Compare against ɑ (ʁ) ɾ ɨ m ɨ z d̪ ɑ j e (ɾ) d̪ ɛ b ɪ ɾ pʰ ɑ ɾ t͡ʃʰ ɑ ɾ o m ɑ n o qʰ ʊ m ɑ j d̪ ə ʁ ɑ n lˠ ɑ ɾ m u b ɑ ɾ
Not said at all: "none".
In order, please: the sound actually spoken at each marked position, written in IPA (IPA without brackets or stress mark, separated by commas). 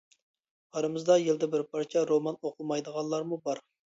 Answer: none, l